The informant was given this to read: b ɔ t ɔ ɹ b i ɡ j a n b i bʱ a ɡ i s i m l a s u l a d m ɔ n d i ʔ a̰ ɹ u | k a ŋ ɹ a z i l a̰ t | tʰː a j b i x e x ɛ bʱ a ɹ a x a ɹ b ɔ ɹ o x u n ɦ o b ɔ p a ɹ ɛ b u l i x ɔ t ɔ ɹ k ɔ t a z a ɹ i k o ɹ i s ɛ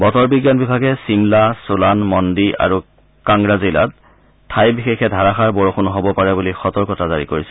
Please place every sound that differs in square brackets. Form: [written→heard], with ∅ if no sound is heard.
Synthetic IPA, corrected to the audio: b ɔ t ɔ ɹ b i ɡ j a n b i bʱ a ɡ [i→ɛ] s i m l a s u l a [d→n] m ɔ n d i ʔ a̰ ɹ u | k a ŋ ɹ a z i l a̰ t | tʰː a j b i x e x ɛ [bʱ→dʱ] a ɹ a x a ɹ b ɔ ɹ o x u n ɦ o b ɔ p a ɹ ɛ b u l i x ɔ t ɔ ɹ k ɔ t a z a ɹ i k o ɹ i s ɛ

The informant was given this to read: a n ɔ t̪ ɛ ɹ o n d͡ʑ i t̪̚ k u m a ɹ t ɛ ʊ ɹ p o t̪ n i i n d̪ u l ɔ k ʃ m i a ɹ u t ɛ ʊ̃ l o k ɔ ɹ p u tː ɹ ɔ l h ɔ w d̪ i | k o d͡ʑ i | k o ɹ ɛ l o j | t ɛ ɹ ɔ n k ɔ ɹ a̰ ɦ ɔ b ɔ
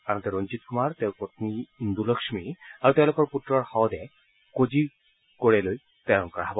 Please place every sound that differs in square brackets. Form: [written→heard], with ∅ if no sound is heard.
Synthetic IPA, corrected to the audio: a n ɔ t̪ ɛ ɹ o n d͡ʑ i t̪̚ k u m a ɹ t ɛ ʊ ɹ p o t̪ n i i n d̪ u l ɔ k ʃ m i a ɹ u t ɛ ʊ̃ l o k ɔ ɹ p u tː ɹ ɔ [l→ɹ] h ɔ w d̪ [i→ɛ] | k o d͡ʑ i | k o ɹ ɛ l o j | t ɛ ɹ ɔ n k ɔ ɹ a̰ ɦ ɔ b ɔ

